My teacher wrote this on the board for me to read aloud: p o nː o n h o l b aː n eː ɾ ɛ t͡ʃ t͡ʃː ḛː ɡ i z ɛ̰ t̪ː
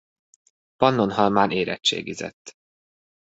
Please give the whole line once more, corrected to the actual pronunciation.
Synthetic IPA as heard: p ɒ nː o n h ɒ l m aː n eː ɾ ɛ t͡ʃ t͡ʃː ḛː ɡ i z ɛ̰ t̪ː